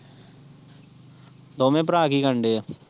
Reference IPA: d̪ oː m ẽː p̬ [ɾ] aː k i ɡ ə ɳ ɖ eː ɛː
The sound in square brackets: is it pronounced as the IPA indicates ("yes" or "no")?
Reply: yes